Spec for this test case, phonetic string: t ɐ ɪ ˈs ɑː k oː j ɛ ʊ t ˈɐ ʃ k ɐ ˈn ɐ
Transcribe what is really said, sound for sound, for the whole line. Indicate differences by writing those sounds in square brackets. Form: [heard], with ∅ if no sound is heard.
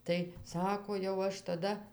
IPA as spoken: t ɐ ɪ ˈs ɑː k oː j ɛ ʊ [∅] ˈɐ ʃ [t] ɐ [ˈd] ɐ